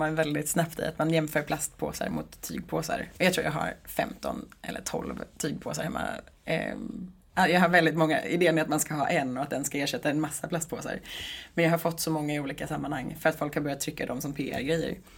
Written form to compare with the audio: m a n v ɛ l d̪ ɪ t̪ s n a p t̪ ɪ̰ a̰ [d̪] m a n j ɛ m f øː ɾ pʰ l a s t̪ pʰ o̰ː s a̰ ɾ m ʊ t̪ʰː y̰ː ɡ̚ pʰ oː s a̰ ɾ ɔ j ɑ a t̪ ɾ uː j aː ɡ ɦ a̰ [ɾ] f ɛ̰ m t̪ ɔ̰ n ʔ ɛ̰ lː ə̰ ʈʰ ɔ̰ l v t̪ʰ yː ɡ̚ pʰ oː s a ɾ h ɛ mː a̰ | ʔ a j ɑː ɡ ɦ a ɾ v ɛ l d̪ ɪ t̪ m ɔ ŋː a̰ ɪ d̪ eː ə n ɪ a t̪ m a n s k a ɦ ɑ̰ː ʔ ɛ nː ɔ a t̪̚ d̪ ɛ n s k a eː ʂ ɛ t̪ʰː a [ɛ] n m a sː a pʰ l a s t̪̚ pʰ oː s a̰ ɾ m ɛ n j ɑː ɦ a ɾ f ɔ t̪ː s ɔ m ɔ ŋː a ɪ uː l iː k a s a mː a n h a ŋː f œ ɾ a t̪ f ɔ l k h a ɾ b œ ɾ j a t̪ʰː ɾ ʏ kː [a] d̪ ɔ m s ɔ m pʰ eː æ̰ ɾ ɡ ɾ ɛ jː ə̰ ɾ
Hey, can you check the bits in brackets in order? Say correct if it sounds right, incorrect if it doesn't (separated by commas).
incorrect, correct, correct, correct